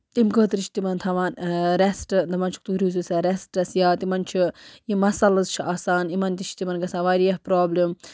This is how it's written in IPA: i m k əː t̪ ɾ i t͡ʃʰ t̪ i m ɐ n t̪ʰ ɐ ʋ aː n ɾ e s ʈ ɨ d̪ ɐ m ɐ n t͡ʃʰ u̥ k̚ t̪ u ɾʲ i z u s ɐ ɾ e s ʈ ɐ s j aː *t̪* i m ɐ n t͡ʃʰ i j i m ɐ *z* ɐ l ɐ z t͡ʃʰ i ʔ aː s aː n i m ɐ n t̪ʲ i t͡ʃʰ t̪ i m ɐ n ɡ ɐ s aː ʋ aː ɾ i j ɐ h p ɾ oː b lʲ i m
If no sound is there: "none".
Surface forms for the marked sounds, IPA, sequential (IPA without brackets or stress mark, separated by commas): t̪, s